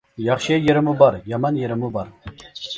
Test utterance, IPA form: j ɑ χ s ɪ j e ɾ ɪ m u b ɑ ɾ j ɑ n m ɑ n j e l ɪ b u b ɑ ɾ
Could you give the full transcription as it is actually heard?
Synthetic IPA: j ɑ χ ʃ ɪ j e ɾ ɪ m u b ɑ ɾ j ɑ m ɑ n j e ɾ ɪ m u b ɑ ɾ